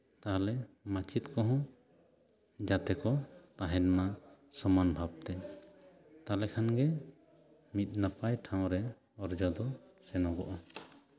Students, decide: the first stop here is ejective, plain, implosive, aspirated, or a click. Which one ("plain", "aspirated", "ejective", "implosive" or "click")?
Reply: plain